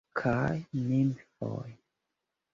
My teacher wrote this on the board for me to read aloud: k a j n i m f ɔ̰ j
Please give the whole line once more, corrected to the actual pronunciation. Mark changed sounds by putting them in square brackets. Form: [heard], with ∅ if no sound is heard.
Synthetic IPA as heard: [kʰ] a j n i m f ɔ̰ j